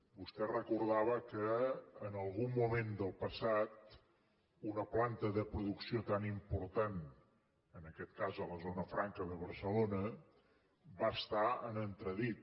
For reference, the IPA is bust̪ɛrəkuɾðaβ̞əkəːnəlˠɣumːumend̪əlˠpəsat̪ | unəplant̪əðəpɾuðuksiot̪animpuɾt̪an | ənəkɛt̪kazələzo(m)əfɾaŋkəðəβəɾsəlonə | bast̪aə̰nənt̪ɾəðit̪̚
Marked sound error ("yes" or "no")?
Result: yes